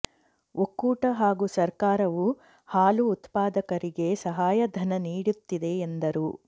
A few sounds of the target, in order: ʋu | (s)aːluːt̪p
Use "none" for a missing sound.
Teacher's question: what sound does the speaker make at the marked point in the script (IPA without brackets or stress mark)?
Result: h